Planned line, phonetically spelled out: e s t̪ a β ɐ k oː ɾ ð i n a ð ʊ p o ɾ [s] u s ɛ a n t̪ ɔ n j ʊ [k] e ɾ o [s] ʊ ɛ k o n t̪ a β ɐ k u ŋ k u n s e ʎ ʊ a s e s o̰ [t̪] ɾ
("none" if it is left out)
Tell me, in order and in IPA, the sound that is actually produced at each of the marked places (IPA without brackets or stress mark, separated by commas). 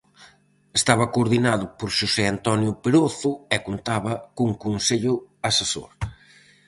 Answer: ʃ, p, θ, none